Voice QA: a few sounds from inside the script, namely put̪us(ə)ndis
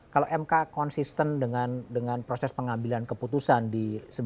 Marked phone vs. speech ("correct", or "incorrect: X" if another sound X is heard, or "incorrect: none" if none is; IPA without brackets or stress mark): incorrect: a